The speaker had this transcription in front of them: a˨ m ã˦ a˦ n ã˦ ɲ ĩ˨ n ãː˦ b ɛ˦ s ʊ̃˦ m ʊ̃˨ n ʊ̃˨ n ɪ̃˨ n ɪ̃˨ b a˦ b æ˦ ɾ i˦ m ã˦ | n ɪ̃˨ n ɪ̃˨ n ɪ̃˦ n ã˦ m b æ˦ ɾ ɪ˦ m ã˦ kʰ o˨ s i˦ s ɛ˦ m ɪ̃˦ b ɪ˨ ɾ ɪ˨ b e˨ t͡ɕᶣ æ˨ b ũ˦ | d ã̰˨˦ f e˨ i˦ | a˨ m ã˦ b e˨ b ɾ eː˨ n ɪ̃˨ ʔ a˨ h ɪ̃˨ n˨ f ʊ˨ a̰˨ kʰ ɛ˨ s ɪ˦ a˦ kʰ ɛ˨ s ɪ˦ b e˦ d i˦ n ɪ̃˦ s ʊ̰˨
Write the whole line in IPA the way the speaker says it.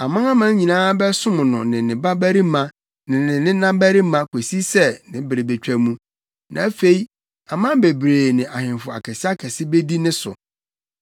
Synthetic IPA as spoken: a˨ m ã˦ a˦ m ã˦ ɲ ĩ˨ n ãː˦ b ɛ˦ s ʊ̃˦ m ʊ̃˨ n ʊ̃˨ n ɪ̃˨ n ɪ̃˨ b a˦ b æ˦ ɾ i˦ m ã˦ | n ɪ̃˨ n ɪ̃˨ n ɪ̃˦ n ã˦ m b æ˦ ɾ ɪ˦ m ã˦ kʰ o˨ s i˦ s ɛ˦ n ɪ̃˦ b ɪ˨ ɾ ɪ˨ b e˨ t͡ɕᶣ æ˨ m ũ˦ | n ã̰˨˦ f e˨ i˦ | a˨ m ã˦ b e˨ b ɾ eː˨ n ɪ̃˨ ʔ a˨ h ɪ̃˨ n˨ f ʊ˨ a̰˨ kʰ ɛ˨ s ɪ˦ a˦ kʰ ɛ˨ s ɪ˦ b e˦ d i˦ n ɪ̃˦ s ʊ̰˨